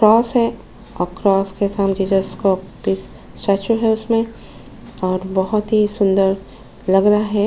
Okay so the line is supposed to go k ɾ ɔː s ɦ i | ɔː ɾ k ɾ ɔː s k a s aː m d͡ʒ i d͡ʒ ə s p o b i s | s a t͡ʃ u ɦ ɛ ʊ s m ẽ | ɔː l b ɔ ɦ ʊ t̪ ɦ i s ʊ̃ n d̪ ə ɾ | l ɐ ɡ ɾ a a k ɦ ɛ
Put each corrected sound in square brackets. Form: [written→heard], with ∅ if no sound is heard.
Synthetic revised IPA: k ɾ ɔː s ɦ [i→ɛ] | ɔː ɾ k ɾ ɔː s k [a→e] s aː m d͡ʒ i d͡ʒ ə s [p→k] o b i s | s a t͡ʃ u ɦ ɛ ʊ s m ẽ | ɔː [l→ɾ] b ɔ ɦ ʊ t̪ ɦ i s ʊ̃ n d̪ ə ɾ | l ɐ ɡ ɾ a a [k→∅] ɦ ɛ